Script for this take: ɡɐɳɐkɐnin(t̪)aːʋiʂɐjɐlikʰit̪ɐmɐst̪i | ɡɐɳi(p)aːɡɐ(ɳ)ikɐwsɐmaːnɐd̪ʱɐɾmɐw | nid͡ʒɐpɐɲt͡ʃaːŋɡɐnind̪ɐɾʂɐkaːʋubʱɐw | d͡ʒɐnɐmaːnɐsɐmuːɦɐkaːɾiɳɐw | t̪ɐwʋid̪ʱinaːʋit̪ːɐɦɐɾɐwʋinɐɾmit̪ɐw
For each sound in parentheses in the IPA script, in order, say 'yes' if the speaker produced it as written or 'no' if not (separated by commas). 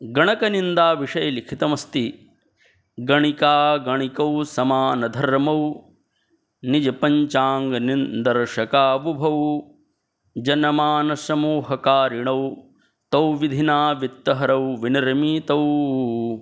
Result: no, no, yes